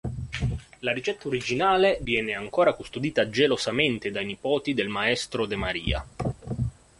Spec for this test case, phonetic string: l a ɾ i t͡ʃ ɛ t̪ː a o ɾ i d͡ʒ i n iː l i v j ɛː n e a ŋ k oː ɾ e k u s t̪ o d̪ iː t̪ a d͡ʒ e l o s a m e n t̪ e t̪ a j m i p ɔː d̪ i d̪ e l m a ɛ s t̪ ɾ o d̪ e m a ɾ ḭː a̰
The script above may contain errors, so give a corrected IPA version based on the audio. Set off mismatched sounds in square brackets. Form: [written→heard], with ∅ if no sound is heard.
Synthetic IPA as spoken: l a ɾ i t͡ʃ ɛ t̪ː a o ɾ i d͡ʒ i n [iː→aː] l [i→e] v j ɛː n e a ŋ k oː ɾ [e→a] k u s t̪ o d̪ iː t̪ a d͡ʒ e l o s a m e n t̪ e [t̪→d̪] a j [m→n] i p ɔː [d̪→t̪] i d̪ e l m a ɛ s t̪ ɾ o d̪ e m a ɾ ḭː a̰